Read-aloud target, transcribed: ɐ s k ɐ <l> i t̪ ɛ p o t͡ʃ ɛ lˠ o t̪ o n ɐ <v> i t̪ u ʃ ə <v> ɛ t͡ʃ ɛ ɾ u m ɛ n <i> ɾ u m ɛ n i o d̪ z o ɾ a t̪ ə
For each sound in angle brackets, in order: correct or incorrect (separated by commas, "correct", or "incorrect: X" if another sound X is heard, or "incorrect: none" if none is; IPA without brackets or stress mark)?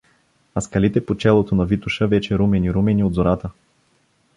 correct, correct, correct, correct